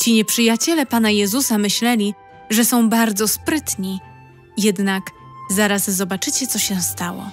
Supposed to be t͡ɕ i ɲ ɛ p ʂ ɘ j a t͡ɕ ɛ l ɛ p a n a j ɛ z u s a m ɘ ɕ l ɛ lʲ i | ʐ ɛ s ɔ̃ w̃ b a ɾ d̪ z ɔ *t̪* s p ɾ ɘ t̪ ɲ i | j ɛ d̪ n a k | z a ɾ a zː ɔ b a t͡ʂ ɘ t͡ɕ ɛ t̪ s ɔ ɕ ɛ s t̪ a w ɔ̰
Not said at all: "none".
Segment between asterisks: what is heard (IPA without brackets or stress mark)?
none